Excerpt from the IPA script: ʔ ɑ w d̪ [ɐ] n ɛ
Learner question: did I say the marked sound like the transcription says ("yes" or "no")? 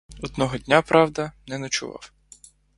yes